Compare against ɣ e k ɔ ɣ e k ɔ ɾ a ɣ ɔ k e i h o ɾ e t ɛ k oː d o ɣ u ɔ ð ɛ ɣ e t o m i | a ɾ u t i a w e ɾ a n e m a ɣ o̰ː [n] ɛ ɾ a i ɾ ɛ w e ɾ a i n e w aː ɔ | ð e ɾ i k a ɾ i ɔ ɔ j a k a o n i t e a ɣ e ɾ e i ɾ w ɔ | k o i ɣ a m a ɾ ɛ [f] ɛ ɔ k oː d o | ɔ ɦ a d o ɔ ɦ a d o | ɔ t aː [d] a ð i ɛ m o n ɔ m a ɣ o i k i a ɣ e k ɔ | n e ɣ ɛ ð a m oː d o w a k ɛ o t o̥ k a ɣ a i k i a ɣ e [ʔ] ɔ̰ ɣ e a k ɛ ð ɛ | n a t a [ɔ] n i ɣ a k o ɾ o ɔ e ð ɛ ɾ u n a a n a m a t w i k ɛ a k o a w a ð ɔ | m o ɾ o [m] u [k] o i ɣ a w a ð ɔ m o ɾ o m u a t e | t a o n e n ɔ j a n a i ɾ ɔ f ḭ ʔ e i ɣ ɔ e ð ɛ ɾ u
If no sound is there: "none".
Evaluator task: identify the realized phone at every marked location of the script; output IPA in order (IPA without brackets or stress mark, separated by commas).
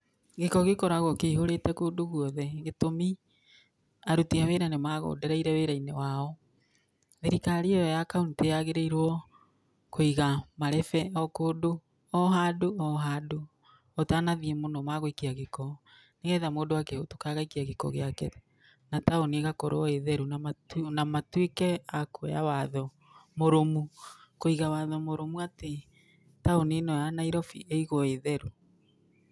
d, f, n, k, o, m, k